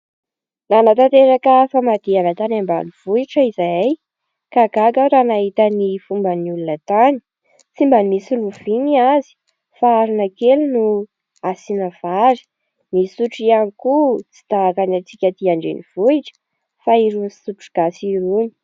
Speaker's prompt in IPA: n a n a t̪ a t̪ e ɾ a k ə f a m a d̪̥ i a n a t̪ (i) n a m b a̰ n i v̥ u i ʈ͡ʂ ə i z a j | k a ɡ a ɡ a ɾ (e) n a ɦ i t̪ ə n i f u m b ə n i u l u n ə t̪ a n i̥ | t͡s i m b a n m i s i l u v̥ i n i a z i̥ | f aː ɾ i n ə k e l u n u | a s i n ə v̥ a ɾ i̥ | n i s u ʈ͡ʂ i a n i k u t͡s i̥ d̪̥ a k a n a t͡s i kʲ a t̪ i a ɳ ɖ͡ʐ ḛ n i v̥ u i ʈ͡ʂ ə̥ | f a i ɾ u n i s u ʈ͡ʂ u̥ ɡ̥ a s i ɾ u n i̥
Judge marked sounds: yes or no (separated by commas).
no, no